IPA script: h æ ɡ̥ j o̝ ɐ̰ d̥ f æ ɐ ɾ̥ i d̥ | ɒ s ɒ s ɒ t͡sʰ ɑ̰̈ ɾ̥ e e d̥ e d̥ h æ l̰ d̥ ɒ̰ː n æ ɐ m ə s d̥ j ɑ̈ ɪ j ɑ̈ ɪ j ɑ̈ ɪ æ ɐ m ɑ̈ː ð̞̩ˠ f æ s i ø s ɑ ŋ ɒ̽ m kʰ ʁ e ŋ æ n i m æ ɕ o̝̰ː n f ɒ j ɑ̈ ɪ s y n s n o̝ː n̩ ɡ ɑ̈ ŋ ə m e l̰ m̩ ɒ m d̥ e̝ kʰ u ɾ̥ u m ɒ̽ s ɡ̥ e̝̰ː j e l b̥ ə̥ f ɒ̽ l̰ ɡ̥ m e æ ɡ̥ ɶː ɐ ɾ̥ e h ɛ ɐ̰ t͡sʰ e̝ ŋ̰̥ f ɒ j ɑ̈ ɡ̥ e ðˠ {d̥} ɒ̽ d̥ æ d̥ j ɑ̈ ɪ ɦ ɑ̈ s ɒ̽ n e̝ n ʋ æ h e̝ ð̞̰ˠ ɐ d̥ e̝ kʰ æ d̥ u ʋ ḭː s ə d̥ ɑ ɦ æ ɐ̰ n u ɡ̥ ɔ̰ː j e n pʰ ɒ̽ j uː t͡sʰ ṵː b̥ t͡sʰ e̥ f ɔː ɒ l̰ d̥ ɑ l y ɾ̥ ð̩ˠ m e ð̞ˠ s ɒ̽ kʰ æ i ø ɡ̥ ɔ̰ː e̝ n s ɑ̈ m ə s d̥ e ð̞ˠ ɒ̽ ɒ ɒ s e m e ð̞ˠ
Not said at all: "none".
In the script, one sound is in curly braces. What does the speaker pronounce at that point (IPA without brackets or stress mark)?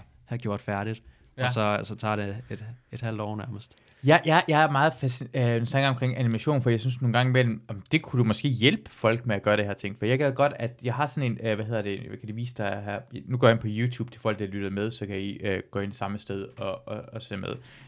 ɡ̥